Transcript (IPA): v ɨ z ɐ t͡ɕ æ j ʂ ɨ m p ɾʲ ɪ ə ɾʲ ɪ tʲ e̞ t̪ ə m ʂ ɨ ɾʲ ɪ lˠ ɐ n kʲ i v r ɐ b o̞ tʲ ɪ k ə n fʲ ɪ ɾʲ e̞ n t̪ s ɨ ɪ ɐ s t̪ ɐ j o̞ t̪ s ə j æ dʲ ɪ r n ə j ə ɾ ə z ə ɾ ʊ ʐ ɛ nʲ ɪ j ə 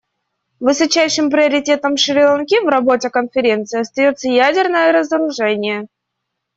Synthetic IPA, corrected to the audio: v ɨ s ɐ t͡ɕ æ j ʂ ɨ m p ɾʲ ɪ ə ɾʲ ɪ tʲ e̞ t̪ ə m ʂ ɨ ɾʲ ɪ lˠ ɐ n kʲ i v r ɐ b o̞ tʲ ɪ k ə n fʲ ɪ ɾʲ e̞ n t̪ s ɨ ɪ ɐ s t̪ ɐ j o̞ t̪ s ə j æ dʲ ɪ r n ə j ə ɾ ə z ə ɾ ʊ ʐ ɛ nʲ ɪ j ə